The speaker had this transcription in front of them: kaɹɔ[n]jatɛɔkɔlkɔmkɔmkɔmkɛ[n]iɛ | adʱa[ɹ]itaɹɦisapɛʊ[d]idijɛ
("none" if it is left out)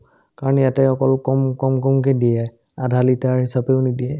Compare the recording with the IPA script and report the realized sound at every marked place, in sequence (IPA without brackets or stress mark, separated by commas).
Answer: n, d, l, n